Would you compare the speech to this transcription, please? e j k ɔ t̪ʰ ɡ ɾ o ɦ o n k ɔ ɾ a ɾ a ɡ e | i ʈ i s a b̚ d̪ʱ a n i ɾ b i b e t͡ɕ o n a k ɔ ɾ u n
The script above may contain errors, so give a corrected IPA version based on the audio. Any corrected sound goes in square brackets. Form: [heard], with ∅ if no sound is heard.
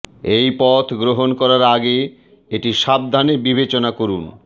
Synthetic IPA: e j [p] ɔ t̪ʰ ɡ ɾ o ɦ o n k ɔ ɾ a ɾ a ɡ e | [e] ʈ i [ʃ] a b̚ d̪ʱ a n [e] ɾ b i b e t͡ɕ o n a k [o] ɾ u n